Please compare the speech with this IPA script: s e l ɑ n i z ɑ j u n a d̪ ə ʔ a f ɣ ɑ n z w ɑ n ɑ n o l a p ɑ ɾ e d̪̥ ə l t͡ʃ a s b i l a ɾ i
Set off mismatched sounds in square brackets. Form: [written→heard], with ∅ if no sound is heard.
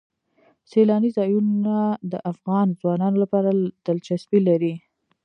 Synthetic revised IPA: s e l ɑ n i z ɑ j u n a d̪ ə ʔ a f ɣ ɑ n z w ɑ n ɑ n o l a p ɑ ɾ [e→a] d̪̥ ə l t͡ʃ a s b i l a ɾ i